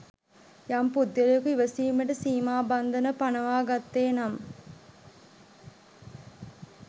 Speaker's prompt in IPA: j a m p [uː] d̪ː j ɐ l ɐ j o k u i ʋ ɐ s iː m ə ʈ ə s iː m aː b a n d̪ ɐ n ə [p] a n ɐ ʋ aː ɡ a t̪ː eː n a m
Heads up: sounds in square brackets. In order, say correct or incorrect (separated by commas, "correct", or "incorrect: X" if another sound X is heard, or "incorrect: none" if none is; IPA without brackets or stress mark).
incorrect: u, correct